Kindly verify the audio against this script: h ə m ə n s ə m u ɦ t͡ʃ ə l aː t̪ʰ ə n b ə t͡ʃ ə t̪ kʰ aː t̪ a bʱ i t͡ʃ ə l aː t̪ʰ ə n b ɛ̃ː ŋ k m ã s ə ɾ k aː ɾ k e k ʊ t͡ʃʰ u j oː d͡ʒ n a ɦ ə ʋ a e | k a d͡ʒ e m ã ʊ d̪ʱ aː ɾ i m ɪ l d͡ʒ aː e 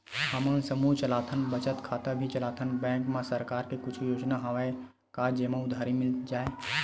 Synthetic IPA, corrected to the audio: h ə m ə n s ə m u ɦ t͡ʃ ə l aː t̪ʰ ə n b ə t͡ʃ ə t̪ kʰ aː t̪ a bʱ i t͡ʃ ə l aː t̪ʰ ə n b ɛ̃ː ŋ k m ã s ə ɾ k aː ɾ k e k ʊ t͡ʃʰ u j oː d͡ʒ n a ɦ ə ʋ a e | k a d͡ʒ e m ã ʊ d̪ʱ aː ɾ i m ɪ l d͡ʒ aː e